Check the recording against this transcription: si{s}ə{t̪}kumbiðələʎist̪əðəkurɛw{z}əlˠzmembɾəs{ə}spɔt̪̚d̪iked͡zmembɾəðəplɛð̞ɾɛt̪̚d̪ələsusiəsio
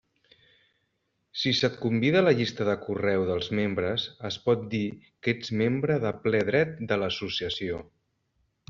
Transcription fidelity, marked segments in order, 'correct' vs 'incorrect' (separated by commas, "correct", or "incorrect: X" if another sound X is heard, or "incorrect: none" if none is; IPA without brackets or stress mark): correct, correct, incorrect: ð, correct